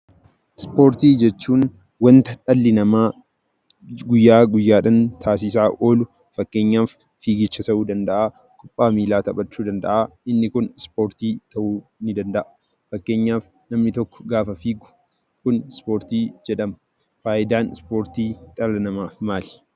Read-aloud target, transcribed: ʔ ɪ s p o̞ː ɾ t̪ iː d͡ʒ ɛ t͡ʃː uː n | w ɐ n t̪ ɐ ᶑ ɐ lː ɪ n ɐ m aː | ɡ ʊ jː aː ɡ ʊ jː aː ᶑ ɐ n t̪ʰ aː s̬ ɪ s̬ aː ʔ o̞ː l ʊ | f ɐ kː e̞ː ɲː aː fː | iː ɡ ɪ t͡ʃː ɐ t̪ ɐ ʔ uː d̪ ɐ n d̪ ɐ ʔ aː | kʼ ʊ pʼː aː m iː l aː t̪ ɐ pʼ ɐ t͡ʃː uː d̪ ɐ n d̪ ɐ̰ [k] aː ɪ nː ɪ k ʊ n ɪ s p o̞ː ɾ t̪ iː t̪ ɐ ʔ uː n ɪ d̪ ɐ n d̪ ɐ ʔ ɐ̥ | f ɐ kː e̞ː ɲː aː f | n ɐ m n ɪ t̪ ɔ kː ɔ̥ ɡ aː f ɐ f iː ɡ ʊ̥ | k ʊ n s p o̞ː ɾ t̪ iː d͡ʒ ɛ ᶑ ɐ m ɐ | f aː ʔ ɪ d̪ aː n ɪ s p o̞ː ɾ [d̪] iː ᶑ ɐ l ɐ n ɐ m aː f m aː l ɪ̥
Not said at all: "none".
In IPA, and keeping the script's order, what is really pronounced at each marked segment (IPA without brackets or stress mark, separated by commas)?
ʔ, t̪